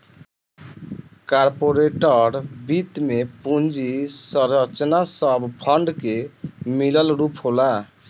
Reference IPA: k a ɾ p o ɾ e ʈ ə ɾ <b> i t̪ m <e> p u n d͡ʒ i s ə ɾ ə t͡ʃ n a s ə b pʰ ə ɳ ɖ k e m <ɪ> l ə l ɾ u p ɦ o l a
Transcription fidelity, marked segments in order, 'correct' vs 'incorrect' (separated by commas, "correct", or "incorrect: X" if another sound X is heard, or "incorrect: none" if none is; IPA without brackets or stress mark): correct, correct, incorrect: i